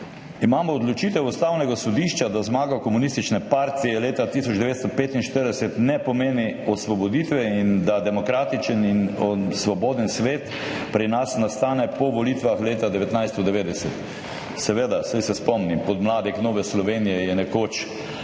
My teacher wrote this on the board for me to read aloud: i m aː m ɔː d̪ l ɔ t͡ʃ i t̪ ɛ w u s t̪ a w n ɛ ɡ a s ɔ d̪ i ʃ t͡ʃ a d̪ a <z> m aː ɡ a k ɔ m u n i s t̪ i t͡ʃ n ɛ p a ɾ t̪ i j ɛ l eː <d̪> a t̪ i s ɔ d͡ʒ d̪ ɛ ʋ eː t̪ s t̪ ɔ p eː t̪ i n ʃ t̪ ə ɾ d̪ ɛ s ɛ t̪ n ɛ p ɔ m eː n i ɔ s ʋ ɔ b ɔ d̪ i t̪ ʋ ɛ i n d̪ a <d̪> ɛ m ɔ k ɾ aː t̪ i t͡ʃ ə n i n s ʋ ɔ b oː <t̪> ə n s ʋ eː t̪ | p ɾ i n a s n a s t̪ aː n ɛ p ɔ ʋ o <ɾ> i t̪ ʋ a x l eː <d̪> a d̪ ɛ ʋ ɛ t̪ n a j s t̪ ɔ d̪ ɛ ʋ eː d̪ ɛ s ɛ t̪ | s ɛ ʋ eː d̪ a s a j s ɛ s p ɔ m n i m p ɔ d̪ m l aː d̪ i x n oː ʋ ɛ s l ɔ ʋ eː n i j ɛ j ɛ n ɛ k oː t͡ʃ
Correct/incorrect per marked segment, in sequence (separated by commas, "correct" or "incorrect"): correct, incorrect, correct, incorrect, incorrect, incorrect